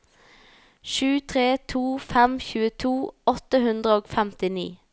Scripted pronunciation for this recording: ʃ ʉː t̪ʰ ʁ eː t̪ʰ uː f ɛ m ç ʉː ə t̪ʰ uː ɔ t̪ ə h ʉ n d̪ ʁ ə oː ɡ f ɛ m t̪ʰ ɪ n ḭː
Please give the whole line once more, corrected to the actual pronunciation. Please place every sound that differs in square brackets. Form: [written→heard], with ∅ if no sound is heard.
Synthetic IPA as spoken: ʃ ʉː t̪ʰ ʁ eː t̪ʰ uː f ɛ m ç ʉː ə t̪ʰ uː ɔ t̪ ə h ʉ n d̪ ʁ ə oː ɡ f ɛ m [t̪ʰ→t̪] ɪ n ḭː